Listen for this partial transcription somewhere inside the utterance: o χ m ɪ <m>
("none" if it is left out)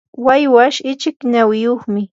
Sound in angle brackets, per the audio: none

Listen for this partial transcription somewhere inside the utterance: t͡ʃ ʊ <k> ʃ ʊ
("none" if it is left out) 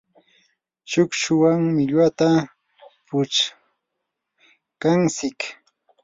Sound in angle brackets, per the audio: k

